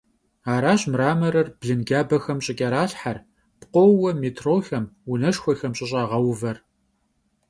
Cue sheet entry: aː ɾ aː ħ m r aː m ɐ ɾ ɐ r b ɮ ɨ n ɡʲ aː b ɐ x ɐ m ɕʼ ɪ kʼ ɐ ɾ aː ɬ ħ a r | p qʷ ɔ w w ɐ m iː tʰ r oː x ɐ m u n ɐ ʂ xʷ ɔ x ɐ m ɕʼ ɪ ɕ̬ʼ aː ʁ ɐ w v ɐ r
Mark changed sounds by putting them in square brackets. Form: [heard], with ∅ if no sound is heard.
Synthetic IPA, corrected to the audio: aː ɾ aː [ɕ] m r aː m ɐ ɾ ɐ r b ɮ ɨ n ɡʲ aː b ɐ x ɐ m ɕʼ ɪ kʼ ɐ ɾ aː ɬ ħ a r | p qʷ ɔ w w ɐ m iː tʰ r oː x ɐ m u n ɐ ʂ xʷ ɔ x ɐ m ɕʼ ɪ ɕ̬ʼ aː ʁ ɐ w v ɐ r

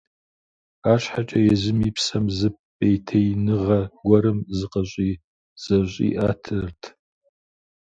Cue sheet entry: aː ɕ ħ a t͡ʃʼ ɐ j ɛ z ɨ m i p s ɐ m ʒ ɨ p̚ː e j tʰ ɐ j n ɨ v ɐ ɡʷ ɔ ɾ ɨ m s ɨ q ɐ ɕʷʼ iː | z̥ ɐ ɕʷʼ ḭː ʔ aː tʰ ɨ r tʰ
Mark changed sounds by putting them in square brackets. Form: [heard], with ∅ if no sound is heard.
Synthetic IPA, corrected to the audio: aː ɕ ħ a t͡ʃʼ ɐ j ɛ z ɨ m i p s ɐ m [z] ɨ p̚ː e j tʰ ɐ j n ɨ [ʁ] ɐ ɡʷ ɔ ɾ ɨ m [z] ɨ q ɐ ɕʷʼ iː | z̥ ɐ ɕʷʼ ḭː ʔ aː tʰ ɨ r tʰ

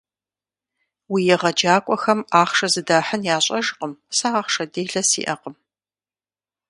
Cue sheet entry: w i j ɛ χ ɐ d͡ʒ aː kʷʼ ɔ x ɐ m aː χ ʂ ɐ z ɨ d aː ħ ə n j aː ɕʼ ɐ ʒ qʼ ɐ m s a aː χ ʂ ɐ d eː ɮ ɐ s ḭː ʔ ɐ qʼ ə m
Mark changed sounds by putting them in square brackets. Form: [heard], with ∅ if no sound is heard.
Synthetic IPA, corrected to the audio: w i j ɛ [ʁ] ɐ d͡ʒ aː kʷʼ ɔ x ɐ m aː χ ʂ ɐ z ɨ d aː ħ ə n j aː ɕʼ ɐ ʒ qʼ [ə] m s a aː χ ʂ ɐ d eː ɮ ɐ s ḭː ʔ ɐ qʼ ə m

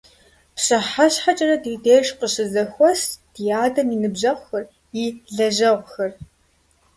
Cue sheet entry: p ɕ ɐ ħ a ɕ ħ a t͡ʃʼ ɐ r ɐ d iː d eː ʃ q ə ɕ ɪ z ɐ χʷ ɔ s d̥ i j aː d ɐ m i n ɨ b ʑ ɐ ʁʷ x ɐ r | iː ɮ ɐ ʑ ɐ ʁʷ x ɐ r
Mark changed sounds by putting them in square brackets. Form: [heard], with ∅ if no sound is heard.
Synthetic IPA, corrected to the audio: p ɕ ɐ ħ a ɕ ħ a t͡ʃʼ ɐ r ɐ d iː d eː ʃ q ə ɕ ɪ z ɐ [xʷ] ɔ s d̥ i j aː d ɐ m i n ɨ b ʑ ɐ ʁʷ x ɐ r | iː ɮ ɐ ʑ ɐ ʁʷ x ɐ r

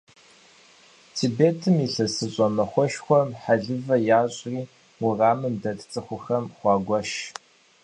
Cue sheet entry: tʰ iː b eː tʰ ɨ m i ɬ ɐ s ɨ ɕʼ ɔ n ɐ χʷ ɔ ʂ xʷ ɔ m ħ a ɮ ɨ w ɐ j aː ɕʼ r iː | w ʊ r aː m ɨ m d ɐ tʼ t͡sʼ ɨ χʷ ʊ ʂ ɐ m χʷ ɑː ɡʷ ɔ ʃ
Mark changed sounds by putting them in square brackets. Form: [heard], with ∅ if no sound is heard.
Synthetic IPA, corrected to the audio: tʰ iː b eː tʰ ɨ m i ɬ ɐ s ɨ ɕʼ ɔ [m] ɐ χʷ ɔ [ʃ] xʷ ɔ m ħ a ɮ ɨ [v] ɐ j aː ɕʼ r iː | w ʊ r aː m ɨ m d ɐ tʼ t͡sʼ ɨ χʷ ʊ [x] ɐ m χʷ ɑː ɡʷ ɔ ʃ

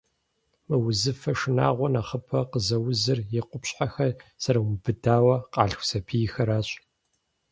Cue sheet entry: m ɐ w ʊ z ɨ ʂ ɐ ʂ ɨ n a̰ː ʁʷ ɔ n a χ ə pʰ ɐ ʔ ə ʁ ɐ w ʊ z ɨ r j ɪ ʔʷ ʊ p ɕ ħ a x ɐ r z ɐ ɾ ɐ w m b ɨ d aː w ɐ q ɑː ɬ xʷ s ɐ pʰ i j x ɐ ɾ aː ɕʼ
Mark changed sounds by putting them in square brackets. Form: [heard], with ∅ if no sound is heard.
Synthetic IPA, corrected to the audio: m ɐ w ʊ z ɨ [f] ɐ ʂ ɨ n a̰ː ʁʷ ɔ n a χ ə pʰ ɐ [q] ə [z] ɐ w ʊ z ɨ r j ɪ [qʷ] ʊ p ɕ ħ a x ɐ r [s] ɐ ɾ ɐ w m b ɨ d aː w ɐ q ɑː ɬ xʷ s ɐ pʰ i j x ɐ ɾ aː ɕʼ

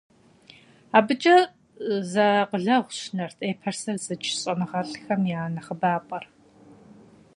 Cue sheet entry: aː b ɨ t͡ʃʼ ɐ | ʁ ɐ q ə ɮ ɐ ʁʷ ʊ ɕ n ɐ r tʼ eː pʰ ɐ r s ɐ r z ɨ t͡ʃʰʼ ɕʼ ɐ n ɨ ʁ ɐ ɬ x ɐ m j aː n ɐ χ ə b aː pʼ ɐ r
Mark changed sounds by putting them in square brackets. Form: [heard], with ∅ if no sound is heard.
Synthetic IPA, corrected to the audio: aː b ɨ t͡ʃʼ ɐ | [z] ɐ q ə ɮ ɐ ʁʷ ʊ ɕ n ɐ r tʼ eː pʰ ɐ r s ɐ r z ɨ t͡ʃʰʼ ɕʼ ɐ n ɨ ʁ ɐ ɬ x ɐ m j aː n ɐ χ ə b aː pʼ ɐ r

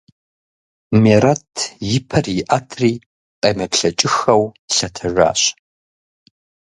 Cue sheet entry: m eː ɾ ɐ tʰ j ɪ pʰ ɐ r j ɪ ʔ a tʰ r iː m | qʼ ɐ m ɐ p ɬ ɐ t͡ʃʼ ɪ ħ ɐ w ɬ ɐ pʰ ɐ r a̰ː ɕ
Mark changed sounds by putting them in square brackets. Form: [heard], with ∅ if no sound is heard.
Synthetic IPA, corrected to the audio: m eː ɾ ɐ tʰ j ɪ pʰ ɐ r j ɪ ʔ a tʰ r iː [∅] | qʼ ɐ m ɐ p ɬ ɐ t͡ʃʼ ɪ [x] ɐ w ɬ ɐ [tʰ] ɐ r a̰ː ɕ

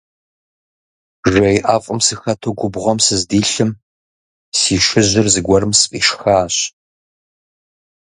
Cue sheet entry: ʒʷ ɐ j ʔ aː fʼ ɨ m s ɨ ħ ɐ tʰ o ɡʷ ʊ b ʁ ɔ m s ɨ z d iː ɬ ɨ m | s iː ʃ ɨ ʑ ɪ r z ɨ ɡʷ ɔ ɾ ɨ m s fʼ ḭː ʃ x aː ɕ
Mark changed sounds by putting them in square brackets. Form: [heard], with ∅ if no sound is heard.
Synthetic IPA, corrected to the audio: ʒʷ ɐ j ʔ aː fʼ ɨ m s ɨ [x] ɐ tʰ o ɡʷ ʊ b ʁ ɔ m s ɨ z d iː ɬ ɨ m | s iː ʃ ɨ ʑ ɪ r z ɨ ɡʷ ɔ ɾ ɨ m s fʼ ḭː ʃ x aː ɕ

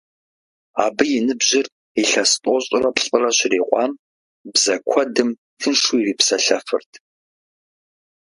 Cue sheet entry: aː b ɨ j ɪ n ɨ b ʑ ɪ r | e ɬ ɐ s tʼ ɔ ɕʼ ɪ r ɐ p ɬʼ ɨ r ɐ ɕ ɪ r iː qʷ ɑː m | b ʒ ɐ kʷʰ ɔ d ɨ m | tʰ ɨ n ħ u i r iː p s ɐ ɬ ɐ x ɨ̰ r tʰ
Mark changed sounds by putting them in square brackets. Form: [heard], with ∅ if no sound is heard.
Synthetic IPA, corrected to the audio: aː b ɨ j ɪ n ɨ b ʑ ɪ r | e ɬ ɐ s tʼ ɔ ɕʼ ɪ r ɐ p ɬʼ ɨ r ɐ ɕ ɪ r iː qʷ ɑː m | b [z] ɐ kʷʰ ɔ d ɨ m | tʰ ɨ n [ʂ] u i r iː p s ɐ ɬ ɐ [f] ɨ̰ r tʰ

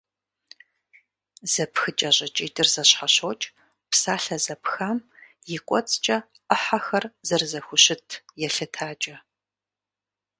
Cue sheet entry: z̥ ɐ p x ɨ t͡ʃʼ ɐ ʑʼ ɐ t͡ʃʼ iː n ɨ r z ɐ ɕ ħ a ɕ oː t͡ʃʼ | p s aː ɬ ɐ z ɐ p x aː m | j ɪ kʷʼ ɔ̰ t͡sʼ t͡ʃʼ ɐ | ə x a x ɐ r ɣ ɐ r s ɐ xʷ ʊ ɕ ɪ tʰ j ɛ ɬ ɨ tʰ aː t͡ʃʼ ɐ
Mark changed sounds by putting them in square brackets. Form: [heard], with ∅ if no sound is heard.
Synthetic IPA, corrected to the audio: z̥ ɐ p x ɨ t͡ʃʼ ɐ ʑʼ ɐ t͡ʃʼ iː [d] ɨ r z ɐ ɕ ħ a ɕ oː t͡ʃʼ | p s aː ɬ ɐ z ɐ p x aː m | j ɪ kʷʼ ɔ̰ t͡sʼ t͡ʃʼ ɐ | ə [ħ] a x ɐ r [z] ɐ r [z] ɐ xʷ ʊ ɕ ɪ tʰ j ɛ ɬ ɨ tʰ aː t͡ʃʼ ɐ

